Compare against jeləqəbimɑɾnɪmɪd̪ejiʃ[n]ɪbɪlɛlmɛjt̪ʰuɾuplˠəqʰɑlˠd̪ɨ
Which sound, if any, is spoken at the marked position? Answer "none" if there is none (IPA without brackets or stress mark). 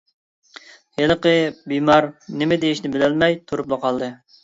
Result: n